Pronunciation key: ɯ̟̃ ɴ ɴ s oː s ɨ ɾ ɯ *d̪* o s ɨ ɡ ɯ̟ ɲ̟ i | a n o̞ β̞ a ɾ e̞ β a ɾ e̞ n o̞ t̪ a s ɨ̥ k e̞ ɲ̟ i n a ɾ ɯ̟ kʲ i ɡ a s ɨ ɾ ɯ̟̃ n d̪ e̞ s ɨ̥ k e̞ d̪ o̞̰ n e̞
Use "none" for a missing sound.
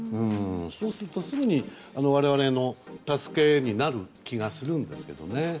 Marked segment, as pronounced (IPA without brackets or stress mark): t̪